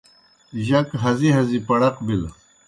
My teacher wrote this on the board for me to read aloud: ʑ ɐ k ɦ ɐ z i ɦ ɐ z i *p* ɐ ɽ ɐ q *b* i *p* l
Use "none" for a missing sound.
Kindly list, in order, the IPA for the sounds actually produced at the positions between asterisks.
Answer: p, b, none

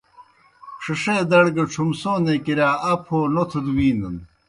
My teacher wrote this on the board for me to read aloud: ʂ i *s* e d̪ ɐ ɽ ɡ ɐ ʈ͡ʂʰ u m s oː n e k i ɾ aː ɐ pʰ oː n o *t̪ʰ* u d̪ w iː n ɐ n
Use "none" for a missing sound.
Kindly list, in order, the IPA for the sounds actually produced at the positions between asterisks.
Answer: ʂ, t̪ʰ

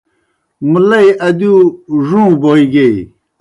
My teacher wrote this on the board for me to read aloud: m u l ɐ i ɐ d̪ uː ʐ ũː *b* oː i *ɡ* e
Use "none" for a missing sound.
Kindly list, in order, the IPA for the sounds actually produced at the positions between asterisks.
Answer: b, ɡ

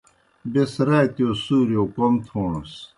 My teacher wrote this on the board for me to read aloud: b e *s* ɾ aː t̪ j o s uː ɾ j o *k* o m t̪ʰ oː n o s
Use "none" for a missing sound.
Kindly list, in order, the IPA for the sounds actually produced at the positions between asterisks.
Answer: s, k

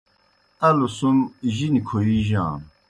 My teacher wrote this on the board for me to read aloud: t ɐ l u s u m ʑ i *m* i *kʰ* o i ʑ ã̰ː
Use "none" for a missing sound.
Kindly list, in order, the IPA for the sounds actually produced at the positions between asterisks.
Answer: n, kʰ

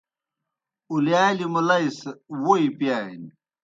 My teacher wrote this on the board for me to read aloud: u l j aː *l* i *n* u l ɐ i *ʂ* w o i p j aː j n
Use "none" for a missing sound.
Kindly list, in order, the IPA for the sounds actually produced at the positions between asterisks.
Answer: l, m, s

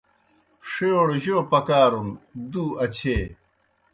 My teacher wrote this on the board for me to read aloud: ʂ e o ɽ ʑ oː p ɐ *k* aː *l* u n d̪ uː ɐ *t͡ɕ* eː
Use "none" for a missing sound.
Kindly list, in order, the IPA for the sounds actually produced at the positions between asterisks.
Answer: k, ɾ, t͡ɕʰ

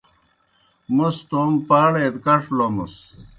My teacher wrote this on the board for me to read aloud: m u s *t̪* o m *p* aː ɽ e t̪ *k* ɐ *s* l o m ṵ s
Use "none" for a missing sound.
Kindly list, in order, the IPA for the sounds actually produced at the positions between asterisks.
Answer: t̪, p, k, ʂ

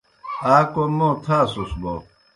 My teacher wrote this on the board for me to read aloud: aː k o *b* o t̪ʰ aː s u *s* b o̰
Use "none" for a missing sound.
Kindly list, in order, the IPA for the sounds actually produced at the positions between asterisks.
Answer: m, s

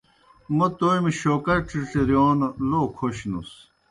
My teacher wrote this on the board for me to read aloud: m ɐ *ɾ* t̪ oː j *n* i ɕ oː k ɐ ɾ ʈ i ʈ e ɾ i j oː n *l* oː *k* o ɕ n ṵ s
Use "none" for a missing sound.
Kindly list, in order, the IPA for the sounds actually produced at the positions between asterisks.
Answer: none, m, l, kʰ

